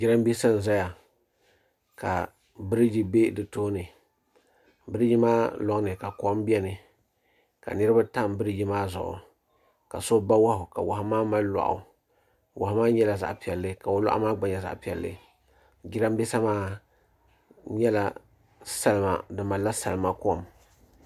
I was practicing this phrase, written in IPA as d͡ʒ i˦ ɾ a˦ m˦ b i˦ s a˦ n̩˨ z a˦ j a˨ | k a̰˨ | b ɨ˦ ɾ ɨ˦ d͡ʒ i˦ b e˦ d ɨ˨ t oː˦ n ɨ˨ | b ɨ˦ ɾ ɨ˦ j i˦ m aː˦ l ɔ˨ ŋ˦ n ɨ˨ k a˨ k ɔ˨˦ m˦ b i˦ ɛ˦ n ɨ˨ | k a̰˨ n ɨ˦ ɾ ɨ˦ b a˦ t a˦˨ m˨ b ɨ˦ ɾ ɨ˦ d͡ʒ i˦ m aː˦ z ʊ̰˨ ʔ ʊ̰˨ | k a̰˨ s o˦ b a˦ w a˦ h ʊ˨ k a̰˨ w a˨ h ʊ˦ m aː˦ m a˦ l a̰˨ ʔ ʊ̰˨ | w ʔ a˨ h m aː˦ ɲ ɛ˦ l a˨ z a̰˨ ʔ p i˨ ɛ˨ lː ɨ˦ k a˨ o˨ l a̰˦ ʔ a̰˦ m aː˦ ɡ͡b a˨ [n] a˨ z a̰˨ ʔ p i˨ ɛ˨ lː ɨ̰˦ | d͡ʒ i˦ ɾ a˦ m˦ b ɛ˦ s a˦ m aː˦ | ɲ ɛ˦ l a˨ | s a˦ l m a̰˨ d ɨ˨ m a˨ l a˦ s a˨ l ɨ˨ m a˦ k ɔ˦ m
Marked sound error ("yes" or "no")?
yes